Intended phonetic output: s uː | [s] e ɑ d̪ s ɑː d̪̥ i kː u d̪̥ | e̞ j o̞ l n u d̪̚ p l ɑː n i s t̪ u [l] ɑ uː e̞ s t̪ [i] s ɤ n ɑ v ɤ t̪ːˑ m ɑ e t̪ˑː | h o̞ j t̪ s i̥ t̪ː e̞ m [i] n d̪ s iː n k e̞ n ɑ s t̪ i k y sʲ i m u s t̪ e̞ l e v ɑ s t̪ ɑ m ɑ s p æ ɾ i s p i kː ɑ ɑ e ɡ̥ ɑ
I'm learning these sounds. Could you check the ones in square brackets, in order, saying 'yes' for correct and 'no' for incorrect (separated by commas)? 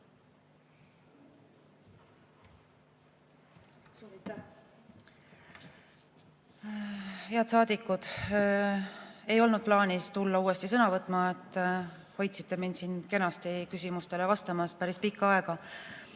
no, no, yes, yes